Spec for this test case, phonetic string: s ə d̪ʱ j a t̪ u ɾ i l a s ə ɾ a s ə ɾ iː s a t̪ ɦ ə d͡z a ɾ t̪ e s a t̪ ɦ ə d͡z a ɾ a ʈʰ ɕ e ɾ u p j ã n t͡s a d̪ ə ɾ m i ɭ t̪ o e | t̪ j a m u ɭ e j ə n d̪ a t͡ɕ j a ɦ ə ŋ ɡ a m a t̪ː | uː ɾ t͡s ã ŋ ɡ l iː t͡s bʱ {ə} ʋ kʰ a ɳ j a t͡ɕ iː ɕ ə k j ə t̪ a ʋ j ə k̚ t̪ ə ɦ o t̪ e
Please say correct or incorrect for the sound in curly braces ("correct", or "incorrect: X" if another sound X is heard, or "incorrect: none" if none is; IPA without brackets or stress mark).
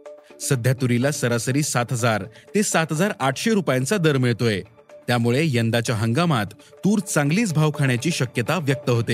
incorrect: a